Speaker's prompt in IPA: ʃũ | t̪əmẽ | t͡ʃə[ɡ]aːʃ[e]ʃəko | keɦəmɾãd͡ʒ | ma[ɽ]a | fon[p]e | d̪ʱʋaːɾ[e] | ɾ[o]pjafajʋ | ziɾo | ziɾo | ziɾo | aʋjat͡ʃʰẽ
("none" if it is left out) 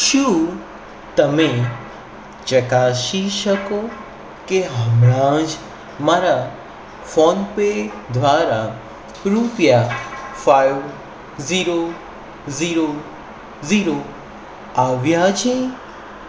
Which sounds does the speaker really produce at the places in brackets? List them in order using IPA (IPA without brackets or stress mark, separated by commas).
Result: k, i, ɾ, p, a, u